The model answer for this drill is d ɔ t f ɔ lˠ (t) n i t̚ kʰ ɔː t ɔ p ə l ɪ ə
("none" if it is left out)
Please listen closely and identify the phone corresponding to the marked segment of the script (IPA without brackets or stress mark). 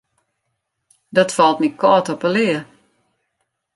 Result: t